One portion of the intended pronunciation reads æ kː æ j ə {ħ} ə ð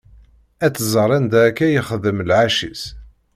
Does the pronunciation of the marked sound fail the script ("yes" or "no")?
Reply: yes